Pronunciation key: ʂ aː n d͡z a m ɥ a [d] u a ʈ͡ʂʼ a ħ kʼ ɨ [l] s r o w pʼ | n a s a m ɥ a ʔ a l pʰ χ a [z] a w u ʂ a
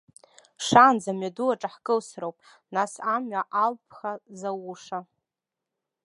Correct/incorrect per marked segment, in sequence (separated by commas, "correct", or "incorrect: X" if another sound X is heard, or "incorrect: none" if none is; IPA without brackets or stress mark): correct, correct, correct